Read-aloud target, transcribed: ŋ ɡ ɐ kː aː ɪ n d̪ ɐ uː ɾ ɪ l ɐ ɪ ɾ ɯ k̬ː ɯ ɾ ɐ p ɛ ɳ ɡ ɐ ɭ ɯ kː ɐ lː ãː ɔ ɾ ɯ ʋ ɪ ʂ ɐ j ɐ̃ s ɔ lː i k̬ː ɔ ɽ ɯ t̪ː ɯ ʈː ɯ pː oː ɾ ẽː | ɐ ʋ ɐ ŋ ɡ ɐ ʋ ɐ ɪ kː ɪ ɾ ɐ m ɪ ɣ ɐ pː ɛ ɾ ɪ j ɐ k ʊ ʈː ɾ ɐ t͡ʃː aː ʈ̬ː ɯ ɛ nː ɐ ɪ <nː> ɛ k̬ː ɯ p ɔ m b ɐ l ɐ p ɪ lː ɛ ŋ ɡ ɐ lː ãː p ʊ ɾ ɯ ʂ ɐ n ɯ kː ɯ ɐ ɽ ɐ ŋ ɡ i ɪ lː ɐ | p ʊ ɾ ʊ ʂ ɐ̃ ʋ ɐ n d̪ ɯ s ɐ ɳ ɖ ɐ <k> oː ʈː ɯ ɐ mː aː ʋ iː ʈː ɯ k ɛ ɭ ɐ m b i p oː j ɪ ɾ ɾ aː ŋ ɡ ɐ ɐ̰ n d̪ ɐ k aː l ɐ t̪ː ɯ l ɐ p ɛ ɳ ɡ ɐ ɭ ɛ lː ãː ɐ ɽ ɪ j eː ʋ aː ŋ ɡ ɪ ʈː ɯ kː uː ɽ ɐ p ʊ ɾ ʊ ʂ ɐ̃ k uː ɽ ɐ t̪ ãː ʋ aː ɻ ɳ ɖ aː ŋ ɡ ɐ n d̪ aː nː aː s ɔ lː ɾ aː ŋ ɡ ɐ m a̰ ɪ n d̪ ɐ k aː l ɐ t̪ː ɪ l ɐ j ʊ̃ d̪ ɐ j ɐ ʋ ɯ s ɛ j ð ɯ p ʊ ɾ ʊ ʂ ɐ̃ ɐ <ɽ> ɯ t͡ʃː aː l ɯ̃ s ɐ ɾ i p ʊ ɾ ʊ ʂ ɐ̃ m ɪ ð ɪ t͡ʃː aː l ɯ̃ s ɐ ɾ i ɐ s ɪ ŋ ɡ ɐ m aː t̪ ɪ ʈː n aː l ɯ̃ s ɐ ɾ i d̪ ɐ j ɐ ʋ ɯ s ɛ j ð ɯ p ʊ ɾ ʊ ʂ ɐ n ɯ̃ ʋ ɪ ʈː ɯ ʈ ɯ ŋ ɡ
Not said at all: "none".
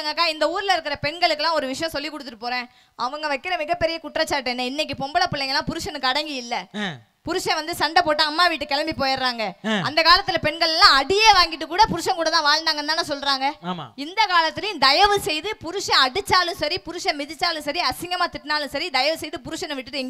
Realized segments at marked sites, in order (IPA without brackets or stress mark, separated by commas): nː, p, ɽ